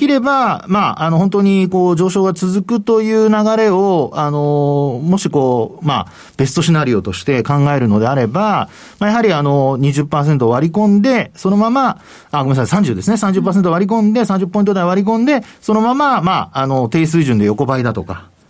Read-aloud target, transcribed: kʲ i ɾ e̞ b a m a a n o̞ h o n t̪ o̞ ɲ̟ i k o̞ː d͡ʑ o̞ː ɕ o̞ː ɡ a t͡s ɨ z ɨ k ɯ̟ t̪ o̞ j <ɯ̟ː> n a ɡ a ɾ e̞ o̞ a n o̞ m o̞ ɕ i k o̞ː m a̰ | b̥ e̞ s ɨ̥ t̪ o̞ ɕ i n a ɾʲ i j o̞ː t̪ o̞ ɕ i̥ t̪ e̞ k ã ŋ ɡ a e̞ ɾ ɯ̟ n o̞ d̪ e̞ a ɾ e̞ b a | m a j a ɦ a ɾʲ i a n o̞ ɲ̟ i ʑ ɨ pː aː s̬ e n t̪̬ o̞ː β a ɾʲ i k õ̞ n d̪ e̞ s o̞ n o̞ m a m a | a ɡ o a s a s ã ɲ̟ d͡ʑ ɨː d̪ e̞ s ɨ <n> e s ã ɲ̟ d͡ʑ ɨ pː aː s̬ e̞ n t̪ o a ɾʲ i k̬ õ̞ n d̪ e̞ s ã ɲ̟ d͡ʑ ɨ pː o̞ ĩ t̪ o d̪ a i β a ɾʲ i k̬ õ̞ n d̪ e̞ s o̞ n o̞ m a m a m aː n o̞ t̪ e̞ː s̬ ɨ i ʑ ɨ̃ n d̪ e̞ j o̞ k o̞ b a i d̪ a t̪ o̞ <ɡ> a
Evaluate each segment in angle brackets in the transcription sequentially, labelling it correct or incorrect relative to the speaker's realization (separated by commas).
correct, correct, incorrect